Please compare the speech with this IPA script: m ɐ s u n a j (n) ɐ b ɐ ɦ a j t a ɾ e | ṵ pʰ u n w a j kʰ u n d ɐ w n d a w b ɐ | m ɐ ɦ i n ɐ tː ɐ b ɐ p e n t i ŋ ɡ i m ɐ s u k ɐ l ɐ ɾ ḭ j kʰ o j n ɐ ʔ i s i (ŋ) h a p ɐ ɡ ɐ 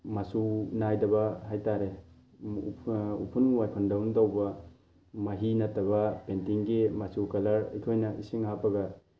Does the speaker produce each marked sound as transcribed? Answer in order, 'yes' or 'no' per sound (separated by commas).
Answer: no, yes